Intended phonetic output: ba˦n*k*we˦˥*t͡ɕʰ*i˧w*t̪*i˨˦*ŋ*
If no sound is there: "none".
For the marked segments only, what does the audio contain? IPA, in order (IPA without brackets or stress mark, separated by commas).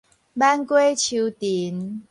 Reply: k, t͡ɕʰ, t̪, n